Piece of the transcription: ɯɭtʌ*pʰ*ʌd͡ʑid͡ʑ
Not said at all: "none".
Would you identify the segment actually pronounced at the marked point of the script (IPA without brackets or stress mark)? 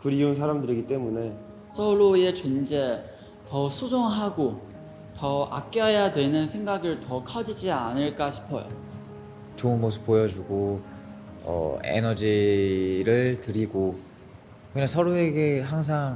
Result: kʰ